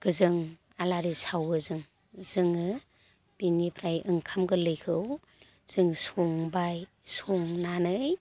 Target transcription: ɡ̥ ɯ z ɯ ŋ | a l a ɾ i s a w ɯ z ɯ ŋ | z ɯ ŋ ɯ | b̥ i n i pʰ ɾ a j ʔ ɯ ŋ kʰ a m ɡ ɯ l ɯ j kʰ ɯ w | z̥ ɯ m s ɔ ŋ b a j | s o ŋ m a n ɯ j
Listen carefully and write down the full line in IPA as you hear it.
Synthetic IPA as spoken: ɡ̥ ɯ z ɯ ŋ | a l a ɾ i s a w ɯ z ɯ ŋ | z ɯ ŋ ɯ | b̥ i n i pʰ ɾ a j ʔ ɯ ŋ kʰ a m ɡ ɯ l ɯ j kʰ ɯ w | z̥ ɯ ŋ s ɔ ŋ b a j | s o ŋ n a n ɯ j